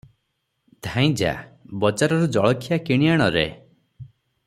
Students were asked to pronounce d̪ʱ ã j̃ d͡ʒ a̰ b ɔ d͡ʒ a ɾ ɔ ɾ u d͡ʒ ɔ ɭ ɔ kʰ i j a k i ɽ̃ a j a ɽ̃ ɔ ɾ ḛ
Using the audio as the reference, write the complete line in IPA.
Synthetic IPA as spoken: d̪ʱ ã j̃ d͡ʒ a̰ b ɔ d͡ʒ a ɾ ɔ ɾ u d͡ʒ ɔ ɭ ɔ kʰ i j a k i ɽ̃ i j a ɽ̃ ɔ ɾ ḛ